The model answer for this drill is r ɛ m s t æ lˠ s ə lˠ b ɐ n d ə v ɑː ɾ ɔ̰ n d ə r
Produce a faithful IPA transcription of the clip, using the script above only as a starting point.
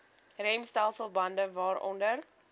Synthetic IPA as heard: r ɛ m s t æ lˠ s ə lˠ b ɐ n d ə v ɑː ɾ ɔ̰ n d ə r